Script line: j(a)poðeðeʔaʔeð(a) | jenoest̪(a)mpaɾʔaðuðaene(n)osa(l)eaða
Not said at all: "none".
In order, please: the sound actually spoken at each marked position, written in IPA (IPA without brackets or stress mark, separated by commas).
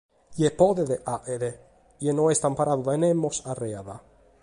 e, e, a, m, r